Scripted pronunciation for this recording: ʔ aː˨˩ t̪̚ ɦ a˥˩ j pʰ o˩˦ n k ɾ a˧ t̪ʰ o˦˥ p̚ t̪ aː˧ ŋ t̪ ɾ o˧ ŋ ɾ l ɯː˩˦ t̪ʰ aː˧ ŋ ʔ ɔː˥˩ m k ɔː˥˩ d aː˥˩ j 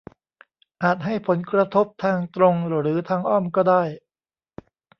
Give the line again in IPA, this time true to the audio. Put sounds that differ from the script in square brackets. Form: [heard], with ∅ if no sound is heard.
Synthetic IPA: ʔ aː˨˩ t̪̚ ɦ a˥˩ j pʰ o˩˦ n k ɾ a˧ t̪ʰ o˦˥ p̚ [t̪ʰ] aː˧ ŋ t̪ ɾ o˧ ŋ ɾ [ɾ] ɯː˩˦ t̪ʰ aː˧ ŋ ʔ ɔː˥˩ m k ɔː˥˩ d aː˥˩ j